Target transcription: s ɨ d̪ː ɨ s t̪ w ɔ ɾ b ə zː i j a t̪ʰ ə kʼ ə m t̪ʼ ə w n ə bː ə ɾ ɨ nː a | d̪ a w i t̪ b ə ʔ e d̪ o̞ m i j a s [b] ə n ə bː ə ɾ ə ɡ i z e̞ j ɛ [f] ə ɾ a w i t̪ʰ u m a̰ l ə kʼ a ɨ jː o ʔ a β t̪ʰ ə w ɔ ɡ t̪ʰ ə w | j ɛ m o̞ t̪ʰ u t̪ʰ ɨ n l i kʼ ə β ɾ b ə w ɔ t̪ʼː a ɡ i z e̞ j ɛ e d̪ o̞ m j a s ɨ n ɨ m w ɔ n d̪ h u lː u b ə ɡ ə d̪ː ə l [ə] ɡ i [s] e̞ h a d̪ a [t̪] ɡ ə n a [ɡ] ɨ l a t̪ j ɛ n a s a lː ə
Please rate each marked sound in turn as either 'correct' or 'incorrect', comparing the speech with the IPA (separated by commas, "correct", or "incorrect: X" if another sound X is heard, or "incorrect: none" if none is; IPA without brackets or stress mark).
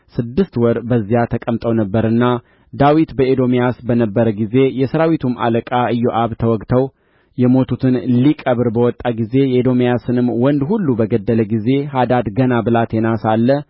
correct, incorrect: s, correct, incorrect: z, incorrect: d̪, incorrect: b